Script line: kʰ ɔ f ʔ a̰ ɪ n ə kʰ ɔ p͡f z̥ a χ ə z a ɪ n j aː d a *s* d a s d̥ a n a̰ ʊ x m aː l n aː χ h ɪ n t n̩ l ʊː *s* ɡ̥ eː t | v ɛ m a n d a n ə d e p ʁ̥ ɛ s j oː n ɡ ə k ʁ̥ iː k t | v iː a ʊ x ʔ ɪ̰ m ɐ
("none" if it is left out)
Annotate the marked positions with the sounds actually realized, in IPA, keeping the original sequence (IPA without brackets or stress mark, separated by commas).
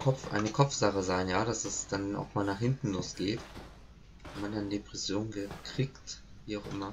s, s